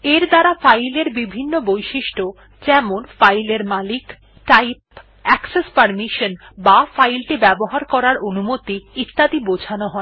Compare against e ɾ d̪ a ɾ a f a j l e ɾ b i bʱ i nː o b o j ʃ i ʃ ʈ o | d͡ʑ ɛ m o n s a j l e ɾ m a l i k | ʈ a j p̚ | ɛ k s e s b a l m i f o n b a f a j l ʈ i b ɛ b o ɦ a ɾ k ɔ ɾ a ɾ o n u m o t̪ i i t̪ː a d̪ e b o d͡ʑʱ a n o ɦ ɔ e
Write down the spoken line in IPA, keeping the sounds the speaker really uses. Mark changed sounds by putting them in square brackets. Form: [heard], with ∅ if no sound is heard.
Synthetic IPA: e ɾ d̪ a ɾ a f a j l e ɾ b i bʱ i nː o b o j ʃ i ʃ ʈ o | d͡ʑ ɛ m o n [f] a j l e ɾ m a l i k | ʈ a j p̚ | ɛ k s e s [p] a [ɾ] m i [ʃ] o n b a f a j l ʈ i b ɛ b o ɦ a ɾ k ɔ ɾ a ɾ o n u m o t̪ i i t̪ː a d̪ [i] b o d͡ʑʱ a n o ɦ ɔ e